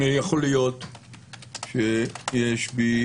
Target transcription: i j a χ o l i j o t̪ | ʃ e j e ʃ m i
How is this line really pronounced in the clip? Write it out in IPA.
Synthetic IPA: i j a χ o l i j o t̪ | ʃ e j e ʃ b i